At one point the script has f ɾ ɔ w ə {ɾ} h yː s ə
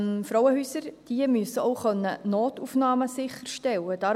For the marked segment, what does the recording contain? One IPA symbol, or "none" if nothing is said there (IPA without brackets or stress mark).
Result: none